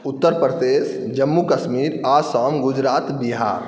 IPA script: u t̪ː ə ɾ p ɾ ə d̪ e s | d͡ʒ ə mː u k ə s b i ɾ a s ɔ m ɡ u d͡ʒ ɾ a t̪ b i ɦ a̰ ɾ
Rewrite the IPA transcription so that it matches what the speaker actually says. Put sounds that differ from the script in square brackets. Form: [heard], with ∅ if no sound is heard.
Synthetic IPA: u t̪ː ə ɾ p ɾ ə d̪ e s | d͡ʒ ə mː u k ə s [m] i ɾ a s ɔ m ɡ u d͡ʒ ɾ a t̪ b i ɦ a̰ ɾ